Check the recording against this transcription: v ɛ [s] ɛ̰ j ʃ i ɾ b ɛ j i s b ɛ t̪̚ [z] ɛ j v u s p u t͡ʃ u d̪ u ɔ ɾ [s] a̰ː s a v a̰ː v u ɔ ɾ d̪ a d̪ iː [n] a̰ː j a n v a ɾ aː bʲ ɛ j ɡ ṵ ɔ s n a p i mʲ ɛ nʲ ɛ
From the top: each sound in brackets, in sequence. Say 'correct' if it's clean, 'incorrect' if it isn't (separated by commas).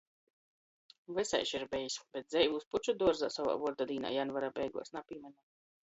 correct, correct, incorrect, correct